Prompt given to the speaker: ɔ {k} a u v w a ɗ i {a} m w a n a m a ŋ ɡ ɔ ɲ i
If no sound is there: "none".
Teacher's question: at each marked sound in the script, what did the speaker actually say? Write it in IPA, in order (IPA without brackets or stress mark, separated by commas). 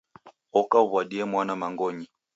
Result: k, ɛ